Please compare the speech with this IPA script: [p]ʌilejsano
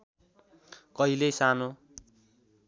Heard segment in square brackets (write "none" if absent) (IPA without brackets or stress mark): k